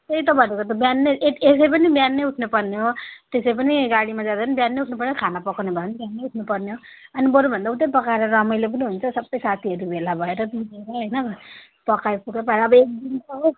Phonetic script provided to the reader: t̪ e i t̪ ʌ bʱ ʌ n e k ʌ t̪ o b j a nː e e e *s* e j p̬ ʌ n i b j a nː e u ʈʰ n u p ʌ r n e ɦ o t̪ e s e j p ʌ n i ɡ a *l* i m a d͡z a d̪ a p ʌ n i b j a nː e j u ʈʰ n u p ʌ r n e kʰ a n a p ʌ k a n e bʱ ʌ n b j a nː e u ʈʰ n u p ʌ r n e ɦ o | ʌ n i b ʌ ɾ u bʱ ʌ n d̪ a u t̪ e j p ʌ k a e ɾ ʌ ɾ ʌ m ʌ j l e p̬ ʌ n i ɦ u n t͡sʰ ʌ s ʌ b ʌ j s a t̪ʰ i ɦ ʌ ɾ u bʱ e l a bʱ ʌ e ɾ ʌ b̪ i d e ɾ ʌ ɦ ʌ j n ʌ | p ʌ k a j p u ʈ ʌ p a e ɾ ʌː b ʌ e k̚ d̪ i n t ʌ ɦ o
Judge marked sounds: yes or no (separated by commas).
yes, no